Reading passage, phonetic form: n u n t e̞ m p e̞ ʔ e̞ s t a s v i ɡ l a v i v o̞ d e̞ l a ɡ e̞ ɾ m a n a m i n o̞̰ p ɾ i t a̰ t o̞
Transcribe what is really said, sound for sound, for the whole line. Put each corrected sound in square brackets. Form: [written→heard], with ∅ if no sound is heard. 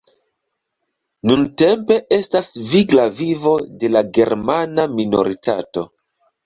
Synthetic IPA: n u n t e̞ m p e̞ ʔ e̞ s t a s v i ɡ l a v i v o̞ d e̞ l a ɡ e̞ ɾ m a n a m i n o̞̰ [p→∅] ɾ i t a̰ t o̞

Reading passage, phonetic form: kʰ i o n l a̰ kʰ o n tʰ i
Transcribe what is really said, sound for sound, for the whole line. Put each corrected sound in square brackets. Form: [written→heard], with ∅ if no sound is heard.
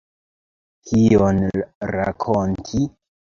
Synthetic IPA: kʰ i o n [l→ɾ] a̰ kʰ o n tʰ i

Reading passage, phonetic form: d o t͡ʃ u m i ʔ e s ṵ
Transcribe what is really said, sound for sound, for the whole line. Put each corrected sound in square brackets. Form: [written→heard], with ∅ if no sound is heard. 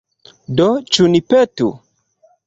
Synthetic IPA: d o t͡ʃ u [m→n] i [ʔ→p] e [s→t] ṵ

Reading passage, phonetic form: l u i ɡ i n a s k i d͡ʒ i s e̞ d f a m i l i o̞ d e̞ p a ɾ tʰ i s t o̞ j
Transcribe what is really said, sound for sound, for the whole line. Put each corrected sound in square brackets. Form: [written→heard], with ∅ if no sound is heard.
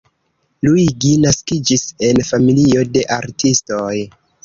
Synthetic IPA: l u i ɡ i n a s k i d͡ʒ i s e̞ [d→n] f a m i l i o̞ d e̞ [p→ʔ] a ɾ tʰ i s t o̞ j

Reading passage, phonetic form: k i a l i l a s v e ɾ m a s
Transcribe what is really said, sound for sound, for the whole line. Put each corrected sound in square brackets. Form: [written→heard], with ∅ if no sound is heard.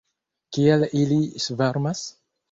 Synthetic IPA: k i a l i l [a→i] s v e ɾ m a s

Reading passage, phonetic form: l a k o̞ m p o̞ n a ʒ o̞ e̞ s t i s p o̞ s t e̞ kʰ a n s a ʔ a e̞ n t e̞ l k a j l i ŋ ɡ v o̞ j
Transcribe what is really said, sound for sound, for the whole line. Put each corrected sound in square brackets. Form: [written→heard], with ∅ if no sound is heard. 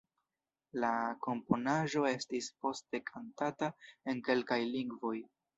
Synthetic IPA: l a k o̞ m p o̞ n a ʒ o̞ e̞ s t i s p o̞ s t e̞ kʰ a n [s→t] a [ʔ→t] a e̞ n [t→k] e̞ l k a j l i ŋ ɡ v o̞ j

